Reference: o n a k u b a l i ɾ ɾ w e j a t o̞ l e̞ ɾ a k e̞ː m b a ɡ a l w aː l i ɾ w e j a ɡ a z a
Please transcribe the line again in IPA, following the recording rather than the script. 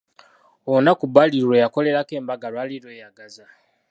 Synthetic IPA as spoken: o n a k u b a l i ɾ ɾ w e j a k o̞ l e̞ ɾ a k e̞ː m b a ɡ a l w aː l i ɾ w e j a ɡ a z a